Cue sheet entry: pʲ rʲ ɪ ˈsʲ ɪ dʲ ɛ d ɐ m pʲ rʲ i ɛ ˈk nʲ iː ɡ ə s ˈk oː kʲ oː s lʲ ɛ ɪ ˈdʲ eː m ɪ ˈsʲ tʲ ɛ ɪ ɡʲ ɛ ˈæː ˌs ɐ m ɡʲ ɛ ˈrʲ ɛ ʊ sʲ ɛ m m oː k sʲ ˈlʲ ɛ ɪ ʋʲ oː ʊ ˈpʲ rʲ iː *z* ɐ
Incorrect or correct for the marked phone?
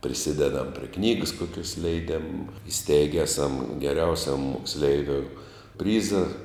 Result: correct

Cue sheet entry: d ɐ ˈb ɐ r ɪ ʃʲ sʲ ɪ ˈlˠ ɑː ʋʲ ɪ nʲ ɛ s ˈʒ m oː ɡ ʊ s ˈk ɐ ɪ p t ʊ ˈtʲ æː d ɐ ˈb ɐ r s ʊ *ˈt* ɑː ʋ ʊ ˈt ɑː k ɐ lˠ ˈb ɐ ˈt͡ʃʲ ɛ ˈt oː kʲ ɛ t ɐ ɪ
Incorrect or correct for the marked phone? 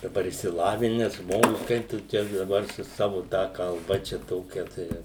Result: incorrect: s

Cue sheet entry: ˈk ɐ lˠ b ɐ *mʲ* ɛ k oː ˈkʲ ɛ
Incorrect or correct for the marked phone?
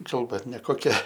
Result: incorrect: nʲ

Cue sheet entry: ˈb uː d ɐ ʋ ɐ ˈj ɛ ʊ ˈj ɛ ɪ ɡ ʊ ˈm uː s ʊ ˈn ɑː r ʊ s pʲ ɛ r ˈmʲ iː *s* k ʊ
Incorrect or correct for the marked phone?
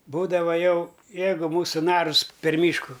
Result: incorrect: ʃ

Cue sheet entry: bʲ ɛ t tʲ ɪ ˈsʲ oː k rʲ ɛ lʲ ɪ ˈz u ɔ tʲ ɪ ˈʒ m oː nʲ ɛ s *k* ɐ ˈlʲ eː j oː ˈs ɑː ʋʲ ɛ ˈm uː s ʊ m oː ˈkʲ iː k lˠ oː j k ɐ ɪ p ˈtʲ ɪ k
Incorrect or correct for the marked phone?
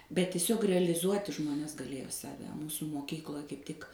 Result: incorrect: ɡ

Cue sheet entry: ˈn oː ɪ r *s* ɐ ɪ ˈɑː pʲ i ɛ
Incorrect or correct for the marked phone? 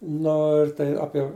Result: incorrect: t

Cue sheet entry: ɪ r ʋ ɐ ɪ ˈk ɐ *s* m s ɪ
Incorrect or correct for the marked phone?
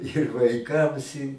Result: incorrect: none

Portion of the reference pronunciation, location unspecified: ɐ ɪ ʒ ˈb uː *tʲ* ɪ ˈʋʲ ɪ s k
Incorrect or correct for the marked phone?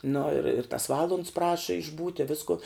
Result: correct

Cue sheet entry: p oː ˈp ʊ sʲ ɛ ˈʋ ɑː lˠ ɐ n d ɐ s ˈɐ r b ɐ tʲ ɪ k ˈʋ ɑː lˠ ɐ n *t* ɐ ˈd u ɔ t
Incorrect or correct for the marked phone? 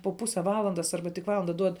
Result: incorrect: d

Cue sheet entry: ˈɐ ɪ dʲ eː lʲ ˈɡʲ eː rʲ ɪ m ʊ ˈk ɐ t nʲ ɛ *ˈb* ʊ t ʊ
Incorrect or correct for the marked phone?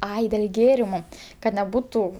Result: correct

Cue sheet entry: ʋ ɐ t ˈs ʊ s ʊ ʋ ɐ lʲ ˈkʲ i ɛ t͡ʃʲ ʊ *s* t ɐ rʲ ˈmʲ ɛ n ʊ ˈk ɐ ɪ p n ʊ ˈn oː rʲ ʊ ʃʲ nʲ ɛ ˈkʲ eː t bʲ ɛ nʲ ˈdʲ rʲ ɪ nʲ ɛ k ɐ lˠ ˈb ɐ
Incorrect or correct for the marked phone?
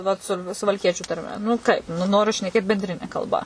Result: incorrect: none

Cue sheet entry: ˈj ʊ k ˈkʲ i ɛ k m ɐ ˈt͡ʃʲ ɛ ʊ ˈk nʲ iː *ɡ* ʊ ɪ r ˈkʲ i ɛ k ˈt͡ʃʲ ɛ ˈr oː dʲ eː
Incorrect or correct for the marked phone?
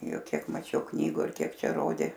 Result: correct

